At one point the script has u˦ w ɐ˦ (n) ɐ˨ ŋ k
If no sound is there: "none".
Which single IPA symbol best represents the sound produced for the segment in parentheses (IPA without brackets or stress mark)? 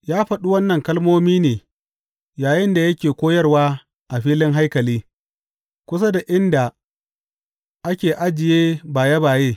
nː